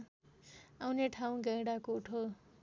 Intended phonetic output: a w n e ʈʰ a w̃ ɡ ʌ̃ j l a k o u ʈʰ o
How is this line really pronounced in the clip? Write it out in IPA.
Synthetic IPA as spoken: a w n e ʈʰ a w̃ ɡ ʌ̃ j ɽ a k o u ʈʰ o